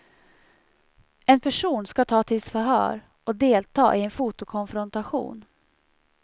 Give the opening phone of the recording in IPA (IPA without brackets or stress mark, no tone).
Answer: ɛ